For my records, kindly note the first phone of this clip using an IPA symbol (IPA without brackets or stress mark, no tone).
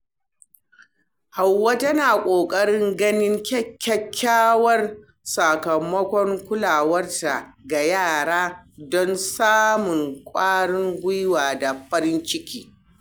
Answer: h